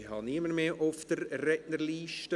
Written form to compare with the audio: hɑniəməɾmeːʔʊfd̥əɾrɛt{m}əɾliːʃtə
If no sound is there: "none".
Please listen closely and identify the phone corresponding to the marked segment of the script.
n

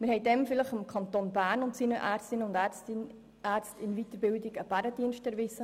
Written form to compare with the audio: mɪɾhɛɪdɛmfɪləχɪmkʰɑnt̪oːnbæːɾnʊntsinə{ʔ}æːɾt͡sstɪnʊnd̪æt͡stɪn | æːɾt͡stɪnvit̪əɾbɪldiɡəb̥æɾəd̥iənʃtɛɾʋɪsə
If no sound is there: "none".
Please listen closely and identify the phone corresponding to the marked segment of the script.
ʔ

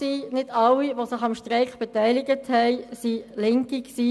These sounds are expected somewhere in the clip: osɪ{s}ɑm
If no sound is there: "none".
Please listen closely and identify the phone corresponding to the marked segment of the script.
χ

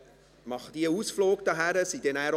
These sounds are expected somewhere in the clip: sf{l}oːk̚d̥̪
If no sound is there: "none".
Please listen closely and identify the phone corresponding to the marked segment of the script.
l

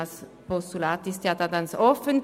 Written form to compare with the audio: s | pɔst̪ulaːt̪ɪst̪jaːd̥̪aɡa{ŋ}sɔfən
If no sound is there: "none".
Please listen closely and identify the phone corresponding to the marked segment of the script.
n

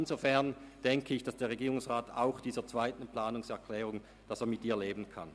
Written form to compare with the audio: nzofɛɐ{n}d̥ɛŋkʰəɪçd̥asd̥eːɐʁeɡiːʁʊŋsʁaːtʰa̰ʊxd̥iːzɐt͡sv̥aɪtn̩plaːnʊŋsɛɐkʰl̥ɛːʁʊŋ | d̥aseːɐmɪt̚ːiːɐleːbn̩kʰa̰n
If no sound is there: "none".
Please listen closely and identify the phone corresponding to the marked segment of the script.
n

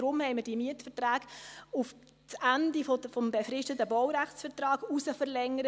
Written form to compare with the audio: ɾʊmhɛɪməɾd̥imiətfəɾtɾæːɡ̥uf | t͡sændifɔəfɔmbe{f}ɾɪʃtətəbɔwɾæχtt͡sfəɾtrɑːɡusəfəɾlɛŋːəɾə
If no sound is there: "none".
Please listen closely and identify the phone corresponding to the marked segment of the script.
f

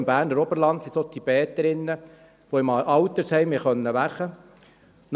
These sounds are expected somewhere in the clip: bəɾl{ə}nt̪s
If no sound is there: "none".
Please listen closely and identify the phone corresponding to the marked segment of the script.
ɑ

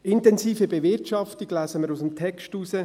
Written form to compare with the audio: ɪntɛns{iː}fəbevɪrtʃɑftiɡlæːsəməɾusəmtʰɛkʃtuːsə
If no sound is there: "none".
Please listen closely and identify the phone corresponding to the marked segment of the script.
iː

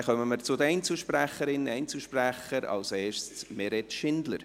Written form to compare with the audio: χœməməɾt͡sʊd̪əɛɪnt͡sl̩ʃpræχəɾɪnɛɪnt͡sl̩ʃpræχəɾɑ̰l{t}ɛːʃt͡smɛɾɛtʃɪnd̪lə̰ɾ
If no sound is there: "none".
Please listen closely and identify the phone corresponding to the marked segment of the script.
s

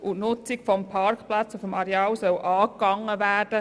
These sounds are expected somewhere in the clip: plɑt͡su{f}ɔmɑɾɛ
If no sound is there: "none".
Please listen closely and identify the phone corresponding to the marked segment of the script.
f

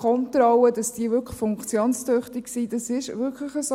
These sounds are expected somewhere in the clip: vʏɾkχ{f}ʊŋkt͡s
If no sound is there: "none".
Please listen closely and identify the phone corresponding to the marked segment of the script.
f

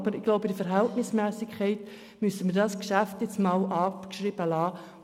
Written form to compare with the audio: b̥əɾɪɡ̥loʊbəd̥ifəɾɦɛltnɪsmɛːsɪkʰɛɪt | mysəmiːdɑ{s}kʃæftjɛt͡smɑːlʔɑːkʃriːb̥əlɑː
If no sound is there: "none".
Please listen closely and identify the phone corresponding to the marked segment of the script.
s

